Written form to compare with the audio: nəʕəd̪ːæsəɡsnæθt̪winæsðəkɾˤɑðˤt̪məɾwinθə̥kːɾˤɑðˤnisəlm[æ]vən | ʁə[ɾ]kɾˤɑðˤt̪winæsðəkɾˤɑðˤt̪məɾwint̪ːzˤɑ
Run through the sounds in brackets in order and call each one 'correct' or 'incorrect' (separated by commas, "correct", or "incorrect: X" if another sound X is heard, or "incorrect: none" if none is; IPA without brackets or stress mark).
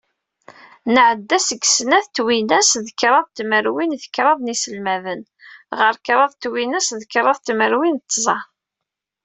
correct, correct